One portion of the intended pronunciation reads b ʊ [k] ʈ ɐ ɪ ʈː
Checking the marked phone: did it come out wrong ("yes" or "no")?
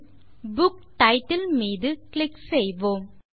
no